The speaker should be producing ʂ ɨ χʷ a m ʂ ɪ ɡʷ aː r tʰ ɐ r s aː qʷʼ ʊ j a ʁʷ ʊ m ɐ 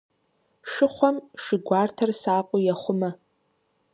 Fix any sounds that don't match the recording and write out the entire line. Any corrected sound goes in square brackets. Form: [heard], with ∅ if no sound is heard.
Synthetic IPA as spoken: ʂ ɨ χʷ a m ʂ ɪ ɡʷ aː r tʰ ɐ r s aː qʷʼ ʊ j a [χʷ] ʊ m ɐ